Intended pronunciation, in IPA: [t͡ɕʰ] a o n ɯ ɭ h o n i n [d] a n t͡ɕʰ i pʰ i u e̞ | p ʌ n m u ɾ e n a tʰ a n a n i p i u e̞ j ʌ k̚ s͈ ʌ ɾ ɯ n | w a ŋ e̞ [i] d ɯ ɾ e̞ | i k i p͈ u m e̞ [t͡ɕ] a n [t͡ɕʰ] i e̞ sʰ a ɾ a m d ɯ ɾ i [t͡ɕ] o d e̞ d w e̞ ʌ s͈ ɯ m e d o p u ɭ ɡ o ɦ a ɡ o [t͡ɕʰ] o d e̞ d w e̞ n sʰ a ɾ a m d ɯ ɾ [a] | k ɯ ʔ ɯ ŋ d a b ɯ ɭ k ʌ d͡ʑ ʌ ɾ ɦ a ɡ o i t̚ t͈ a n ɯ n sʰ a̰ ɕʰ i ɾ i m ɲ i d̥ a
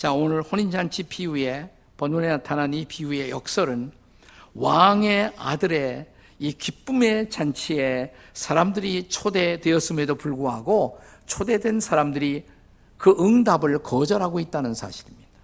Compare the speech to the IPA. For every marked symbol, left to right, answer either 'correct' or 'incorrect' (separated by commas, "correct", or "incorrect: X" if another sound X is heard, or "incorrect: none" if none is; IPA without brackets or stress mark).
incorrect: t͡ɕ, incorrect: d͡ʑ, incorrect: a, correct, correct, incorrect: t͡ɕʰ, correct, incorrect: i